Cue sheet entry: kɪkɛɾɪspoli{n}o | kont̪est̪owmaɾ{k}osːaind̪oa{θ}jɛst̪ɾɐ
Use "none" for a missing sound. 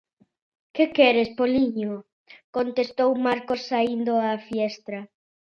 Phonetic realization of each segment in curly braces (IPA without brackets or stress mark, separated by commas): ɲ, k, f